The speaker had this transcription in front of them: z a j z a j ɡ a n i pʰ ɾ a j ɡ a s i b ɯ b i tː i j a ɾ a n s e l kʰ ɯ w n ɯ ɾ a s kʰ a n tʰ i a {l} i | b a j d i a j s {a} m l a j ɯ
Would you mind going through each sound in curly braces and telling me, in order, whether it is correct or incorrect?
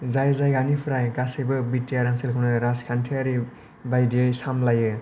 incorrect: ɾ, correct

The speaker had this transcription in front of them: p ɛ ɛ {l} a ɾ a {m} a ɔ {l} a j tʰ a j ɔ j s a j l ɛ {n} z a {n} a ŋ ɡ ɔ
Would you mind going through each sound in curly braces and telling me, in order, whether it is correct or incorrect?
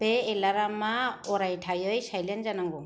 correct, correct, incorrect: ɾ, correct, correct

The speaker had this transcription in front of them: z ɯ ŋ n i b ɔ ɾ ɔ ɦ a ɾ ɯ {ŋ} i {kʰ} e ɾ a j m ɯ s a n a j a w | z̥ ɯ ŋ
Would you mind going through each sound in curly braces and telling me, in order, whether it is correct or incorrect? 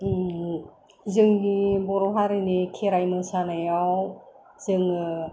incorrect: n, correct

